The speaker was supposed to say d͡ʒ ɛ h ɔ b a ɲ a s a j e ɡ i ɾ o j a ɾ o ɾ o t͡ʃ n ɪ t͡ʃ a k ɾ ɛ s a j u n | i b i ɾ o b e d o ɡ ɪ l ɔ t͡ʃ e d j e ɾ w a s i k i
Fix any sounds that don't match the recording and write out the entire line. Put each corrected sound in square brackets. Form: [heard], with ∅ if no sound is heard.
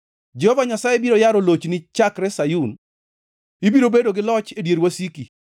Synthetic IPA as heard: d͡ʒ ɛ h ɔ [v] a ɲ a s a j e [b] i ɾ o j a ɾ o [l] o t͡ʃ n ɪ t͡ʃ a k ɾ ɛ s a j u n | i b i ɾ o b e d o ɡ ɪ l ɔ t͡ʃ e d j e ɾ w a s i k i

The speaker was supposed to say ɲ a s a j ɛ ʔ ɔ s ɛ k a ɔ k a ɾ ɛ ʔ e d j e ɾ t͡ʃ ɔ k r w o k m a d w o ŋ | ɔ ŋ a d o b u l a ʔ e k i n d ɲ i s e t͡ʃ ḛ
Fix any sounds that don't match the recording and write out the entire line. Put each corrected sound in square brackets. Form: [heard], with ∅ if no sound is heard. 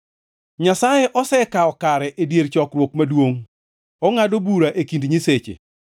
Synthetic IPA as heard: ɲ a s a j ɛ ʔ ɔ s ɛ k a ɔ k a ɾ ɛ ʔ e d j e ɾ t͡ʃ ɔ k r w o k m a d w o ŋ | ɔ ŋ a d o b u [ɾ] a ʔ e k i n d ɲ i s e t͡ʃ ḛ

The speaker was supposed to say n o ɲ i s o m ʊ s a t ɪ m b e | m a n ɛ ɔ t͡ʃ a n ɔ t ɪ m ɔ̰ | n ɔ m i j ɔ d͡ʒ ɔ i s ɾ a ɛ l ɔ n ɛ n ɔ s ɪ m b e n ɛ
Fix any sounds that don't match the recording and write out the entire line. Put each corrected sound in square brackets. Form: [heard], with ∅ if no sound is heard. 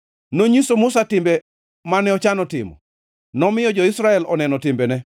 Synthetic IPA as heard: n o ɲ i s o m ʊ s a t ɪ m b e | m a n ɛ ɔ t͡ʃ a n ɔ t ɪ m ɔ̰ | n ɔ m [ɪ] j ɔ d͡ʒ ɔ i s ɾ a ɛ l ɔ n ɛ n ɔ [t] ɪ m b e n ɛ

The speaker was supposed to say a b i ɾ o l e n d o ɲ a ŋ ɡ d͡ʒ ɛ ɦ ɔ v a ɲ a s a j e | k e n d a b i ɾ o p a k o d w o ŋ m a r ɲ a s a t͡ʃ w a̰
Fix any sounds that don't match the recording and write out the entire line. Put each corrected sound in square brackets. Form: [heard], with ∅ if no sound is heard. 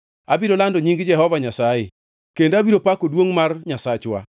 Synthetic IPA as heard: a b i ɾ o l [a] n d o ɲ [i] ŋ ɡ d͡ʒ ɛ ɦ ɔ v a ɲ a s a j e | k e n d a b i ɾ o p a k o d w o ŋ m a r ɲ a s a t͡ʃ w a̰

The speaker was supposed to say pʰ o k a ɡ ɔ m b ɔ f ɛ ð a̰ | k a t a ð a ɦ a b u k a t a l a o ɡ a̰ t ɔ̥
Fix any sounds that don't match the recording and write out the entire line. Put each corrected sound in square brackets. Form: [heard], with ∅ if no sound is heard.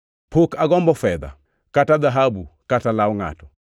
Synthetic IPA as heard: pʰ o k a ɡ ɔ m b ɔ f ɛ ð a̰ | k a t a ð a ɦ a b u k a t a l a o [ŋ] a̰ t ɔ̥

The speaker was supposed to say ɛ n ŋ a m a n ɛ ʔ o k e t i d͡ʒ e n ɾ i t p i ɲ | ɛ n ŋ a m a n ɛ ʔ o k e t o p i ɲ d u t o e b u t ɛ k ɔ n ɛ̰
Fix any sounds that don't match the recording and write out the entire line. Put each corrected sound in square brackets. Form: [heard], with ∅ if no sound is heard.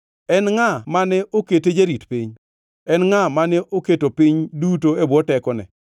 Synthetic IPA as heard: ɛ n ŋ a m a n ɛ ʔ o k e t [e] d͡ʒ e [∅] ɾ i t p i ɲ | ɛ n ŋ a m a n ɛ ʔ o k e t o p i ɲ d u t o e b [ɔ] t ɛ k ɔ n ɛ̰

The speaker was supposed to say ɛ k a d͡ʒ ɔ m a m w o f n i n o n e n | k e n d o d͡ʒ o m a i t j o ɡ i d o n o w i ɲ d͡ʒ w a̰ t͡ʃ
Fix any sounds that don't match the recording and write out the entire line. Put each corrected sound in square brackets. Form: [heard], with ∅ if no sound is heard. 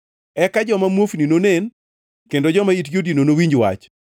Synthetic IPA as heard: ɛ k a d͡ʒ ɔ m a m w o f n i n o n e n | k e n d o d͡ʒ [ɔ] m a i t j o [d] i [n] o n o w i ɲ d͡ʒ w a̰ t͡ʃ

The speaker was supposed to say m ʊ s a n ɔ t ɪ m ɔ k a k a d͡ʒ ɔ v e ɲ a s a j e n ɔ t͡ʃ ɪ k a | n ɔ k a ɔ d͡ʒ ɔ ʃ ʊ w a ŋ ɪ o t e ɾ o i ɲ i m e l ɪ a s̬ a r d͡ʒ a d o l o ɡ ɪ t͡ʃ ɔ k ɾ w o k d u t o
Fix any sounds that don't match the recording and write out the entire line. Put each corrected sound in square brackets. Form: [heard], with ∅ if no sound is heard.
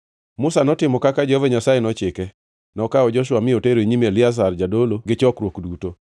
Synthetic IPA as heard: m ʊ s a n ɔ t ɪ m ɔ k a k a d͡ʒ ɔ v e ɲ a s a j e n ɔ t͡ʃ ɪ k [ɛ] | n ɔ k a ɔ d͡ʒ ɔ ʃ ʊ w a [m] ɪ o t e ɾ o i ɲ i m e l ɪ a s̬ a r d͡ʒ a d o l o ɡ ɪ t͡ʃ ɔ k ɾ w o k d u t o

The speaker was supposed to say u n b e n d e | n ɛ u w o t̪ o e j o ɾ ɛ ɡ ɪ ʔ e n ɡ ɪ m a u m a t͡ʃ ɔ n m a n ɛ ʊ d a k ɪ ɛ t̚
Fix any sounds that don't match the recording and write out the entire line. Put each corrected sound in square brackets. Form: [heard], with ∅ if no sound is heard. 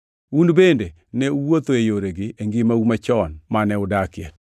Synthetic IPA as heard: u n b e n d e | n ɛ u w o t̪ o e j o ɾ [e] ɡ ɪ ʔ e [ŋ] ɡ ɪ m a u m a t͡ʃ ɔ n m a n ɛ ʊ d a k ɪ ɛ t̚

